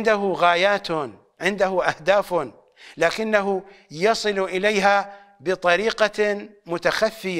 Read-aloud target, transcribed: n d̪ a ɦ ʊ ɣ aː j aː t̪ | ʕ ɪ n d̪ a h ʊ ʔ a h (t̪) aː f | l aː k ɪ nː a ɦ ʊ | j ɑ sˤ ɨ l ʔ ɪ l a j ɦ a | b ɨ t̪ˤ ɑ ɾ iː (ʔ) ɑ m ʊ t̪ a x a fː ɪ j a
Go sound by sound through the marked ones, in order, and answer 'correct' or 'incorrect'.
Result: incorrect: d̪, incorrect: q

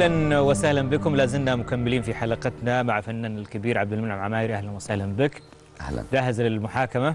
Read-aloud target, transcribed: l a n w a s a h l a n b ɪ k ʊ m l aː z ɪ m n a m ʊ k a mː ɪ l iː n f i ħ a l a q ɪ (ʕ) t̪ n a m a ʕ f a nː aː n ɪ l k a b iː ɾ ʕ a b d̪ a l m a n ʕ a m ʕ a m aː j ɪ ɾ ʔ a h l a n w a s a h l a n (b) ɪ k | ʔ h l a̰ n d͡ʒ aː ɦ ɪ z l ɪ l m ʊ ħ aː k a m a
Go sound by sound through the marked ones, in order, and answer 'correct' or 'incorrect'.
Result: incorrect: none, correct

